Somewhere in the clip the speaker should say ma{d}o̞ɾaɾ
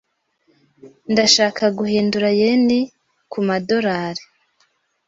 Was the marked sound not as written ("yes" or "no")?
no